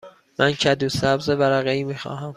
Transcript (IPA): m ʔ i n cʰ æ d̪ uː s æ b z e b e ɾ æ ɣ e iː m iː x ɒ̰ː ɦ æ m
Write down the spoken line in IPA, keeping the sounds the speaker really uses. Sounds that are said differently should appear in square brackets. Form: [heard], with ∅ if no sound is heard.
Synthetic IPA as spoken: m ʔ [æ] n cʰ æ d̪ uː s æ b z e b [æ] ɾ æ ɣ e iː m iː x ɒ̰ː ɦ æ m